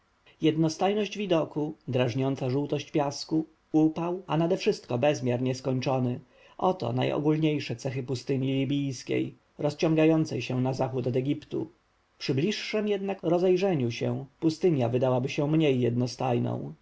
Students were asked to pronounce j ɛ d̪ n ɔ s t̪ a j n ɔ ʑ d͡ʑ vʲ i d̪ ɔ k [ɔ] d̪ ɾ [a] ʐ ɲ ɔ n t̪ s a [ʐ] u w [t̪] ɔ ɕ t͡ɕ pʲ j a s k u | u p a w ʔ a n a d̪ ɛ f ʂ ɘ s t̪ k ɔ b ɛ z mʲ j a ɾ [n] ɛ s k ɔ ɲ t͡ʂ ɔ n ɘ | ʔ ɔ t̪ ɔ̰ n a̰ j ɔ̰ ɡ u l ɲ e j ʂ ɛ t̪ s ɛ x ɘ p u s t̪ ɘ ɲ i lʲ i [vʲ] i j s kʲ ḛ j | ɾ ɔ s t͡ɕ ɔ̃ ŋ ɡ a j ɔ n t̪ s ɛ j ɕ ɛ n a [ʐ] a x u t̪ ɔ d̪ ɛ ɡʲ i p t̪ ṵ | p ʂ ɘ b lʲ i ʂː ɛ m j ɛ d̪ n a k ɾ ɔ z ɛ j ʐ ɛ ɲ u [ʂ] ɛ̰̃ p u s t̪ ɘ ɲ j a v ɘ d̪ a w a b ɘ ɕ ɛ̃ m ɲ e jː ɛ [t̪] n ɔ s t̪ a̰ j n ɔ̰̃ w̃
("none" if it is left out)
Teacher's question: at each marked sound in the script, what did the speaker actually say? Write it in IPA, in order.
u, a, ʐ, t̪, ɲ, bʲ, z, ɕ, d̪

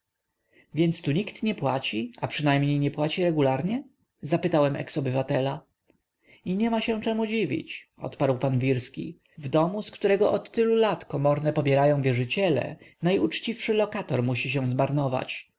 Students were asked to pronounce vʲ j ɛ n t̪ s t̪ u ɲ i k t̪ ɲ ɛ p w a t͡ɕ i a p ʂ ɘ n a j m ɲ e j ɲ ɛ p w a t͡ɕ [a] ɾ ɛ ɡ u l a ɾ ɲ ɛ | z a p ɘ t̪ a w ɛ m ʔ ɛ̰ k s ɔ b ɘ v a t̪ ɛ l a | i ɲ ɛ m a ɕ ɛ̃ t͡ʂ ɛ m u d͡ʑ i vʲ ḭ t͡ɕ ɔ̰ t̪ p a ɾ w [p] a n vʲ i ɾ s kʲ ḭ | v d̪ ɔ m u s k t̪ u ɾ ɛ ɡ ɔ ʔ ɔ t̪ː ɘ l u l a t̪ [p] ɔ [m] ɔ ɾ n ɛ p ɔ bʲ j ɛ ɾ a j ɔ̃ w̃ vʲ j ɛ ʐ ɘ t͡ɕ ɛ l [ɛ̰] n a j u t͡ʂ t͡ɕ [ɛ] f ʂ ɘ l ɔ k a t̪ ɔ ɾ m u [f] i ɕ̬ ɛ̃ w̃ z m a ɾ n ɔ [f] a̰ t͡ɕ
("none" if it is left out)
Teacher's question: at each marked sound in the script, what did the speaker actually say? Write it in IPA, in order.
i, p, k, m, ɛ̰, i, ɕ, v

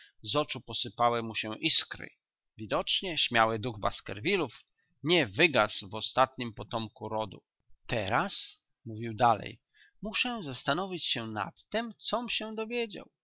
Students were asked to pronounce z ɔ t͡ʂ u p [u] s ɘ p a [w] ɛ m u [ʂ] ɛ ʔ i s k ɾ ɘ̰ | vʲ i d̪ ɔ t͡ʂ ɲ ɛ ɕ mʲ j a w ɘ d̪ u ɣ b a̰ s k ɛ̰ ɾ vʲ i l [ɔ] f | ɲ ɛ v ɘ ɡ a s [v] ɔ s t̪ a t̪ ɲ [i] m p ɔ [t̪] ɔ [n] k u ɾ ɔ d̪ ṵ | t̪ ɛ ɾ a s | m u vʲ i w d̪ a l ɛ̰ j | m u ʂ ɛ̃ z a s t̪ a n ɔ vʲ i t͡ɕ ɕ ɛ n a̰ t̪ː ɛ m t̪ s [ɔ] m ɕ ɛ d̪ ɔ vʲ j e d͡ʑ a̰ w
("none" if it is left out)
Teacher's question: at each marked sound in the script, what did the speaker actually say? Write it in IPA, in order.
ɔ, w, ɕ, u, v, i, t̪, m, ɔ

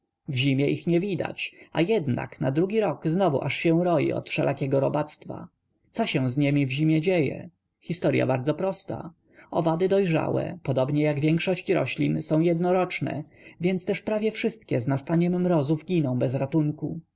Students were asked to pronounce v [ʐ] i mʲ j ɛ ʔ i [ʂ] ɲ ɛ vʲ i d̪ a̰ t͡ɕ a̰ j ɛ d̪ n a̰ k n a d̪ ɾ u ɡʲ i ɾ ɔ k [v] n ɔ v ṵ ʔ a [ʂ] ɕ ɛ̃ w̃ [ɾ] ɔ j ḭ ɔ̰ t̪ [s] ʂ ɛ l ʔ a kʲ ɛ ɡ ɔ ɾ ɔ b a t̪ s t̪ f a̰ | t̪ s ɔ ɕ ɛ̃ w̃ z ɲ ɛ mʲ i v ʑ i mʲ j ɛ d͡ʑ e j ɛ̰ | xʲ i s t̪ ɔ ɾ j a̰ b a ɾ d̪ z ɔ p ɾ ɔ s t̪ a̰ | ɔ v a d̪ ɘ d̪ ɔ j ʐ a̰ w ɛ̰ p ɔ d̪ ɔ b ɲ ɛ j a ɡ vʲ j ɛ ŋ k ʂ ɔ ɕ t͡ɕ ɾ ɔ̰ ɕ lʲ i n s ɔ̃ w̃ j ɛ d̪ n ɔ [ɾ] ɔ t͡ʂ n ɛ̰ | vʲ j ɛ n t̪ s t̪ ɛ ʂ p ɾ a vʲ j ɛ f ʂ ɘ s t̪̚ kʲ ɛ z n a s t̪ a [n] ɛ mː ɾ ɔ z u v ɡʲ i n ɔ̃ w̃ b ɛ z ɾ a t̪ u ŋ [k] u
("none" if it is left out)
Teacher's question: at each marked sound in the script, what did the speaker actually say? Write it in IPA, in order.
ʑ, x, z, ʂ, ɾ, f, ɾ, ɲ, k

